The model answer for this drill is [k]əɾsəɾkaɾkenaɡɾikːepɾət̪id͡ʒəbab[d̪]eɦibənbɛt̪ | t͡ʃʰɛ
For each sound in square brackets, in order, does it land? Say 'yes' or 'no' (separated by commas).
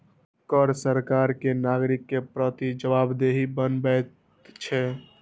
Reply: yes, yes